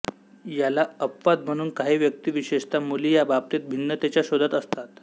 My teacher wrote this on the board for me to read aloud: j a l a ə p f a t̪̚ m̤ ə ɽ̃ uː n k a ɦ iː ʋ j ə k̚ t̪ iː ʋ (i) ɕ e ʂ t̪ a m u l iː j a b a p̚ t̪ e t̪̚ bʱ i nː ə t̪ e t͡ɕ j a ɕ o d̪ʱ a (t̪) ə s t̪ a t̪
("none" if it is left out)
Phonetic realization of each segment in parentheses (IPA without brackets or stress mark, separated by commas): i, t̪